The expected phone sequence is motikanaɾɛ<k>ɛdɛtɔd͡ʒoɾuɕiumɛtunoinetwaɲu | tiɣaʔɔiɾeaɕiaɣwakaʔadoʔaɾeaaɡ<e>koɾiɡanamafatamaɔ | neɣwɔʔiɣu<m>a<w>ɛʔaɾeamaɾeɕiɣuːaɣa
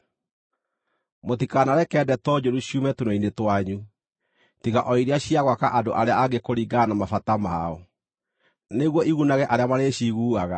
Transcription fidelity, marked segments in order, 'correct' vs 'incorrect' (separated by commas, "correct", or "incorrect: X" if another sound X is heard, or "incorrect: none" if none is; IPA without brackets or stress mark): correct, correct, incorrect: n, incorrect: ɣ